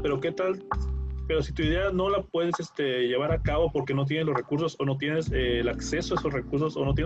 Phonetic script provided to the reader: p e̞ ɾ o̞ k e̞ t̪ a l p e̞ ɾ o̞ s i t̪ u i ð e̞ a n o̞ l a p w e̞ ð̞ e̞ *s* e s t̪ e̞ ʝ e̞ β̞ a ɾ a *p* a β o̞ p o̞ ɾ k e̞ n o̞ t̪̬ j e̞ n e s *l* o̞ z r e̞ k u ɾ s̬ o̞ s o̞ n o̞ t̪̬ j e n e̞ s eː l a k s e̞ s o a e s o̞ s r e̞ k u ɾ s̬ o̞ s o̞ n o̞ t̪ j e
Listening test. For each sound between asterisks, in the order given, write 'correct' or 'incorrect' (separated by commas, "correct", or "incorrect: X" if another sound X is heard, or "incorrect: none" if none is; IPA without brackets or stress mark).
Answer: correct, incorrect: k, correct